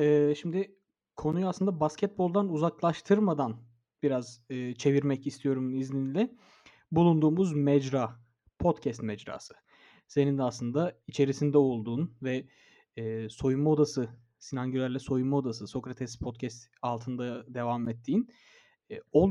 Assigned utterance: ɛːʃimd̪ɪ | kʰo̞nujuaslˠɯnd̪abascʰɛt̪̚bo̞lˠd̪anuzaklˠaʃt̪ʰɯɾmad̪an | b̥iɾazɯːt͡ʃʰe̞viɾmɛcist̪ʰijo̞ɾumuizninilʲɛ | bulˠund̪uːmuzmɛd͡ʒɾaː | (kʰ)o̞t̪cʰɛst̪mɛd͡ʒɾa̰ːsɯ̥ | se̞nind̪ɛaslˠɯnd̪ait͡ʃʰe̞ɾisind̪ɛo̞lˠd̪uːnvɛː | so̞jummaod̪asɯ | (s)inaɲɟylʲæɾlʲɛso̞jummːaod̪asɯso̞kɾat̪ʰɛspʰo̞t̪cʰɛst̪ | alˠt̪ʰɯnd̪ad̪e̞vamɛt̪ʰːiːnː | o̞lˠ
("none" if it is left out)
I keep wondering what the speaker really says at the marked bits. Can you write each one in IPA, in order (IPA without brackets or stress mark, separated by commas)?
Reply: pʰ, s